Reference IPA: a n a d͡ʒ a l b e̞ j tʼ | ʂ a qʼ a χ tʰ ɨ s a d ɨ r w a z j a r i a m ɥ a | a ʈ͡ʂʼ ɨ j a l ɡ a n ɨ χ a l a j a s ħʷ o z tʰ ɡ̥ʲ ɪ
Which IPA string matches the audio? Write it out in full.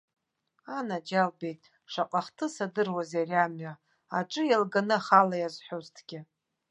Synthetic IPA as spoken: a n a d͡ʒ a l b e̞ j tʼ | ʂ a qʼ a χ tʰ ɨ s a d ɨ r w a z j a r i a m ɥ a | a ʈ͡ʂʼ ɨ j a l ɡ a n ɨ χ a l a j a z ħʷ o z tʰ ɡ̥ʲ ɪ